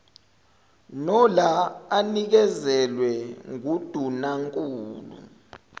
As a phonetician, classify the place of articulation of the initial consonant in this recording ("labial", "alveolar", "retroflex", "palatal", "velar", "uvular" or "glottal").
alveolar